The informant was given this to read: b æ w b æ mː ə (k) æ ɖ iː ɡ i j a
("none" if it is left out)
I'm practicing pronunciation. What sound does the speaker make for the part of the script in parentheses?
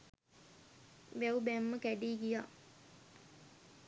k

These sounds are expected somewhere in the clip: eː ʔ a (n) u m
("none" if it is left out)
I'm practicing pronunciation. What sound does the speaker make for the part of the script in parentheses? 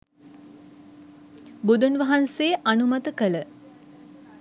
n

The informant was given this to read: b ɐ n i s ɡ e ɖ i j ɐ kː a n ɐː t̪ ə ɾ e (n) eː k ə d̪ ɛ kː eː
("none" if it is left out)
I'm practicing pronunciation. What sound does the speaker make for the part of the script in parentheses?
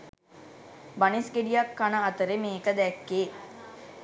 m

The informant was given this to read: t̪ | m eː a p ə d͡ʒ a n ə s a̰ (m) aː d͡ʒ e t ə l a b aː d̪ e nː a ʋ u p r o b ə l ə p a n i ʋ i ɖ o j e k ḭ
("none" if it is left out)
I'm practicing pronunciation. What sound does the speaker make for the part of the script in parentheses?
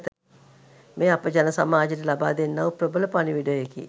m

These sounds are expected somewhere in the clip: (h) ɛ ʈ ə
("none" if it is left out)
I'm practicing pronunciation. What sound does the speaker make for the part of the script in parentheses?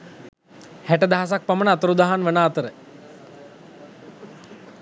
h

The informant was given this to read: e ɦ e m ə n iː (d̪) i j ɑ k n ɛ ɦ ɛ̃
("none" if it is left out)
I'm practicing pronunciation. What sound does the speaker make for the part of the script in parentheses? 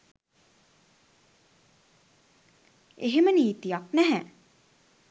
t̪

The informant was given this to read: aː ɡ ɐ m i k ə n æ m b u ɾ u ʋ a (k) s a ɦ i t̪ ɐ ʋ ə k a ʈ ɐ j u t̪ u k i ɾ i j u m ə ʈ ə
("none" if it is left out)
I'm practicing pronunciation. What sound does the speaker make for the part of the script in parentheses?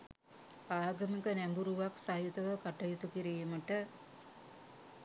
k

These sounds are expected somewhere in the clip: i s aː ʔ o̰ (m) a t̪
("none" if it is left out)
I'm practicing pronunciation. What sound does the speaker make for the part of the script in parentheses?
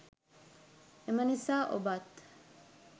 b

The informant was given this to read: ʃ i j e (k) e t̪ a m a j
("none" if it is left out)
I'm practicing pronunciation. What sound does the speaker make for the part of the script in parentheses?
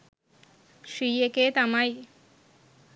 k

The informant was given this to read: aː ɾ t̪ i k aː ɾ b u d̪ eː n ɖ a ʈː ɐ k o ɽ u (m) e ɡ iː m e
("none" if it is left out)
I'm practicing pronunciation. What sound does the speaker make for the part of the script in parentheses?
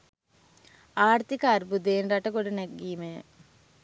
n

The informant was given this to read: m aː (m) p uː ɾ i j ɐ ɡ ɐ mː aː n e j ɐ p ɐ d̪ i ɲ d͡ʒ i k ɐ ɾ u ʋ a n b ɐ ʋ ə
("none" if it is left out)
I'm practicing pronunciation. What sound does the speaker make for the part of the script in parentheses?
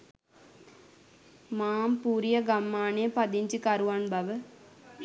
m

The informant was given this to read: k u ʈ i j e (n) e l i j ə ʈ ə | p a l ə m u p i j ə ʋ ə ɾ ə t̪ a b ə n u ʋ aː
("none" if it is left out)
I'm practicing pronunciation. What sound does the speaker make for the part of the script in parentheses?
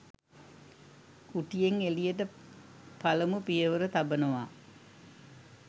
ŋ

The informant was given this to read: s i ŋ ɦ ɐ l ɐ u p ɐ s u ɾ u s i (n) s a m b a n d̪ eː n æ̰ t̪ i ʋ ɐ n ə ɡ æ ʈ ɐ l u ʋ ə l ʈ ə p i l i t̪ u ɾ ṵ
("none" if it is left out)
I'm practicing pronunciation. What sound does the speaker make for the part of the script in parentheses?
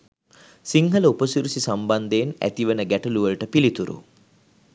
none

